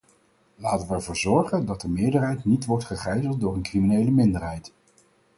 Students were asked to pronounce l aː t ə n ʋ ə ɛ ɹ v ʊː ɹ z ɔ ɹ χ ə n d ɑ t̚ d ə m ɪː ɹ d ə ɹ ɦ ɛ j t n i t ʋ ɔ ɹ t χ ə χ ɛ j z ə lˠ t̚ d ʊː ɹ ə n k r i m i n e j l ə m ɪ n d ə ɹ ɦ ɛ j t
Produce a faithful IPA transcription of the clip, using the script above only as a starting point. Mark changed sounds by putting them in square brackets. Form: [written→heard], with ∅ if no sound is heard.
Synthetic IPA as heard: l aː t ə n ʋ ə ɛ ɹ v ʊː ɹ z ɔ ɹ χ ə n d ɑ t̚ d ə m ɪː ɹ d ə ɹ ɦ ɛ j t n i t ʋ ɔ ɹ t χ ə χ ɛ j z ə lˠ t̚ d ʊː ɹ ə n k r i m i n e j l ə m ɪ n d ə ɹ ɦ ɛ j t